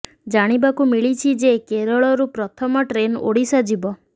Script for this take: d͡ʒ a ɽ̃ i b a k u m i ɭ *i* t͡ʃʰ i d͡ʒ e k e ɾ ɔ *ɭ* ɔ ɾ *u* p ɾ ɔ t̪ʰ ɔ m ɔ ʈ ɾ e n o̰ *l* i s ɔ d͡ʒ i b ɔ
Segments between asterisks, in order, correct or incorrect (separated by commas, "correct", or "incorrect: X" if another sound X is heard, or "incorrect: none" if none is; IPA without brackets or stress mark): correct, correct, correct, incorrect: ɽ